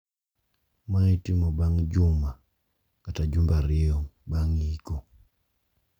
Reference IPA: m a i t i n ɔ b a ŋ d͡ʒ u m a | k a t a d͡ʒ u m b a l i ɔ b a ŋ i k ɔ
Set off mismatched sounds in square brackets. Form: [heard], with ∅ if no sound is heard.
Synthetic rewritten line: m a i t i [m] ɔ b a ŋ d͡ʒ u m a | k a t a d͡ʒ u m b a [ɾ] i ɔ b a ŋ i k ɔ

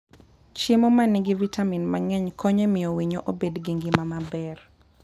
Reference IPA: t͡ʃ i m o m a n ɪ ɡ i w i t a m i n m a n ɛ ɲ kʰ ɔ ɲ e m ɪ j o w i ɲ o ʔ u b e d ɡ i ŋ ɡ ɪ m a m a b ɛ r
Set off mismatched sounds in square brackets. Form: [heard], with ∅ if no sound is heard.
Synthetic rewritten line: t͡ʃ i m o m a n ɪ ɡ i [v] i t a m i n m a [ŋ] ɛ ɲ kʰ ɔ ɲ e m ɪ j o w i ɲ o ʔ [o] b e d ɡ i ŋ ɡ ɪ m a m a b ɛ r

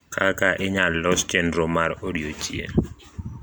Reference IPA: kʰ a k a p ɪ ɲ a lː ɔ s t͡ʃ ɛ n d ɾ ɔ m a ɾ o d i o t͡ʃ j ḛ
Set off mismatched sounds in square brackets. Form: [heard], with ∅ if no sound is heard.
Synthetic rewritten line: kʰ a k a [ʔ] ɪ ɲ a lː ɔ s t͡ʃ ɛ n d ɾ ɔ m a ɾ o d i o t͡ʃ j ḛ

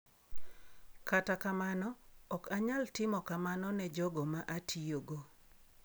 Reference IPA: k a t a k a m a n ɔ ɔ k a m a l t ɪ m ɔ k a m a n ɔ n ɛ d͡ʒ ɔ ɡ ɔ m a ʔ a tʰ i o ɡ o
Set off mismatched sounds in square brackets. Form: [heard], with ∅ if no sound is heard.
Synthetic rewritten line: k a t a k a m a n ɔ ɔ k a [ɲ] a l t ɪ m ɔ k a m a n ɔ n ɛ d͡ʒ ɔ ɡ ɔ m a ʔ a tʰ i o ɡ o

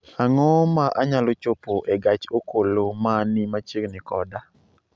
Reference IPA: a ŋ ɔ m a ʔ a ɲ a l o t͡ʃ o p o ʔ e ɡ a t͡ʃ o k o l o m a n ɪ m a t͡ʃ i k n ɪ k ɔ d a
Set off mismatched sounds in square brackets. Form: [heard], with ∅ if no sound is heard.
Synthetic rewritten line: a ŋ ɔ m a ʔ a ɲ a l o t͡ʃ o p o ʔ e ɡ a t͡ʃ o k o l o m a n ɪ m a t͡ʃ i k n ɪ k ɔ d a

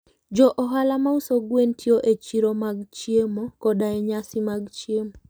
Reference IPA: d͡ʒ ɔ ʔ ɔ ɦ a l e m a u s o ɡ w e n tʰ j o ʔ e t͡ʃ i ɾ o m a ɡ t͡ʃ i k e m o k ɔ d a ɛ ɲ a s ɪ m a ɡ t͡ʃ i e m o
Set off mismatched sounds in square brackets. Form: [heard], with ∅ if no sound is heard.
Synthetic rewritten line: d͡ʒ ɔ ʔ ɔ ɦ a l [a] m a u s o ɡ w e n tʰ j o ʔ e t͡ʃ i ɾ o m a ɡ t͡ʃ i [∅] e m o k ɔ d a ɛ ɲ a s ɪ m a ɡ t͡ʃ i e m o

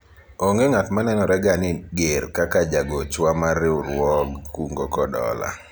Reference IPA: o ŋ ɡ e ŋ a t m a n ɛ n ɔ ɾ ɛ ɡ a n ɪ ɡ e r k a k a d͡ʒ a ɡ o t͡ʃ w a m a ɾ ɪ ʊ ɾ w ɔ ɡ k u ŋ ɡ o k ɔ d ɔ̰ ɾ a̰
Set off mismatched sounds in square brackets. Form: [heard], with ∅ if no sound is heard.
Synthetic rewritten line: o ŋ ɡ e ŋ a t m a n ɛ n ɔ ɾ ɛ ɡ a n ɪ ɡ e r k a k a d͡ʒ a ɡ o t͡ʃ w a m a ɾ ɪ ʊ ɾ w ɔ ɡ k u ŋ ɡ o k ɔ d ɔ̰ [l] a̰

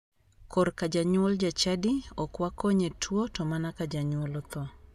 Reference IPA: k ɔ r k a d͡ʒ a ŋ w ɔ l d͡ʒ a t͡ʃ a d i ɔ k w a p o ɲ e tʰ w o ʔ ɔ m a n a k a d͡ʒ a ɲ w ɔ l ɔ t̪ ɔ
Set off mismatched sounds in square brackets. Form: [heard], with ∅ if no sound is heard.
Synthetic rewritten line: k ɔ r k a d͡ʒ a [ɲ] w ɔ l d͡ʒ a t͡ʃ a d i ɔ k w a [k] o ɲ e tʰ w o [t] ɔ m a n a k a d͡ʒ a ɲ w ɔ l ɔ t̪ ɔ

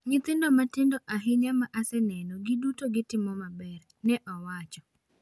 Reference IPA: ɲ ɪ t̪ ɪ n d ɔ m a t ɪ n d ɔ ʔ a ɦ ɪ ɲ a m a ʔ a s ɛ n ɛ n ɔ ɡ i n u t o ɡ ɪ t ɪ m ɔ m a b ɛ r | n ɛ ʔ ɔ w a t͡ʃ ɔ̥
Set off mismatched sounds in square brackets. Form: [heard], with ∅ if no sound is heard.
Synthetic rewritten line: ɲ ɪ t̪ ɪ n d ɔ m a t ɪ n d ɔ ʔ a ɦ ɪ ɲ a m a ʔ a s ɛ n ɛ n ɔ ɡ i [d] u t o ɡ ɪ t ɪ m ɔ m a b ɛ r | n ɛ ʔ ɔ w a t͡ʃ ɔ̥

